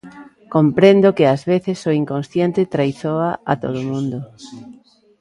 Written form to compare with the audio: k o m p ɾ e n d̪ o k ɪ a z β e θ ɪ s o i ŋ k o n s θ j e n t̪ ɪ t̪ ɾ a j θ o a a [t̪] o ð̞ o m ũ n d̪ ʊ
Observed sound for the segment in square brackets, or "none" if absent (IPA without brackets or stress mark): t̪